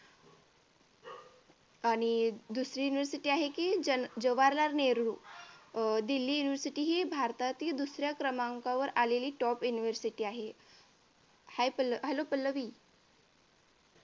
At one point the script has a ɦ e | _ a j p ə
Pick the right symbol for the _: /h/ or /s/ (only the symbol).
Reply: h